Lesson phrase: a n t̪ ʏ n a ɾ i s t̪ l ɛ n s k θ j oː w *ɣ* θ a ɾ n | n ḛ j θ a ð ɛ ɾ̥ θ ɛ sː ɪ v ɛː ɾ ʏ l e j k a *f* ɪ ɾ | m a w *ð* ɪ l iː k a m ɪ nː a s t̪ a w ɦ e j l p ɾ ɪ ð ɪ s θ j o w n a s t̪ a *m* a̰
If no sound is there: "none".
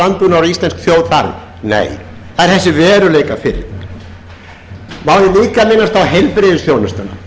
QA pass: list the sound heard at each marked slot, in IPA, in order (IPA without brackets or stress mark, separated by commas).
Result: ð, f, ð, n